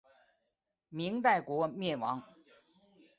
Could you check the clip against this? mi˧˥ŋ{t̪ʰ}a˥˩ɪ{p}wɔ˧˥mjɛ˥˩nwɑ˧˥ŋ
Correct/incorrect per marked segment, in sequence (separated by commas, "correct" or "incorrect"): incorrect, incorrect